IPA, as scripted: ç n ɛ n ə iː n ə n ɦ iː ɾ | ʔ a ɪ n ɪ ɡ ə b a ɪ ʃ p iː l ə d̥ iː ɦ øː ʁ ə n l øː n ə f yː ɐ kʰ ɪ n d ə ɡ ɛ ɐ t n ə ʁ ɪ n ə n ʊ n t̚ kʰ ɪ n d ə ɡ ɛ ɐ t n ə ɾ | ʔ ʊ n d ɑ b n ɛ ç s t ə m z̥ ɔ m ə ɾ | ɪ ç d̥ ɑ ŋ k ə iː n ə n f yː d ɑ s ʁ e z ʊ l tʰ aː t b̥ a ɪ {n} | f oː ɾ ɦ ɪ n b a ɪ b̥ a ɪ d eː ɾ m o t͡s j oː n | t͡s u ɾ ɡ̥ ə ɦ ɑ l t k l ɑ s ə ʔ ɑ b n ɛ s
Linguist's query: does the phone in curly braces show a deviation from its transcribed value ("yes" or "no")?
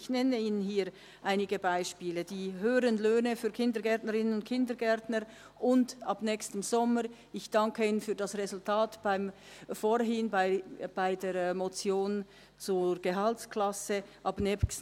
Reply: yes